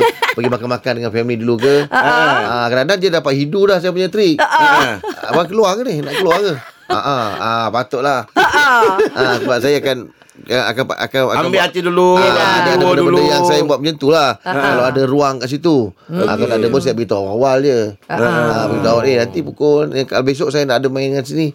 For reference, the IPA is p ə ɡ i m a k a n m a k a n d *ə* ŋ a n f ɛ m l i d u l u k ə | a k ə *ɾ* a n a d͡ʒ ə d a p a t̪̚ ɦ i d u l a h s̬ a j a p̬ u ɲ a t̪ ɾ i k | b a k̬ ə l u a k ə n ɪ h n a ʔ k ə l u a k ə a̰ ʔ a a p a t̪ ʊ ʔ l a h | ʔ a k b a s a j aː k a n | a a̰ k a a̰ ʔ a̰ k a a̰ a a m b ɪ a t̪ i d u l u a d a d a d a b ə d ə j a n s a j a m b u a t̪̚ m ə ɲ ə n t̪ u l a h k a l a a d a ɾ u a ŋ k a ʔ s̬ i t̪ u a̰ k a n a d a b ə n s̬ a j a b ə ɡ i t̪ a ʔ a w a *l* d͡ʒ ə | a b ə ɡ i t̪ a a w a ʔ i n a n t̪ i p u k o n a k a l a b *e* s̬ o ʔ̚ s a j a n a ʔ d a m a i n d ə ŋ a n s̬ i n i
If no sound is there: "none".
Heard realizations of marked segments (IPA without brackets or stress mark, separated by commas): ə, ɾ, l, e